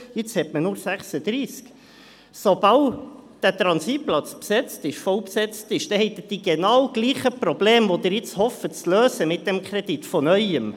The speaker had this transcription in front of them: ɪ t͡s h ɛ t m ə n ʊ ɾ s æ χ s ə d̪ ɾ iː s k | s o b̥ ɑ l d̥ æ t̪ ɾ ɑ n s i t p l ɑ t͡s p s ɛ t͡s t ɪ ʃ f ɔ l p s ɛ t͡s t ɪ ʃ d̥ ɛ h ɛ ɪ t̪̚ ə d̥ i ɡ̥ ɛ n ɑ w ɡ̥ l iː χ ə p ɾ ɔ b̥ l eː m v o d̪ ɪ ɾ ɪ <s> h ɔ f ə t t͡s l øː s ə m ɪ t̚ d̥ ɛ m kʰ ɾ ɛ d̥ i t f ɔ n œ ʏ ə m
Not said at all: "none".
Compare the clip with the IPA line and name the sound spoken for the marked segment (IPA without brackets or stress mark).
t͡s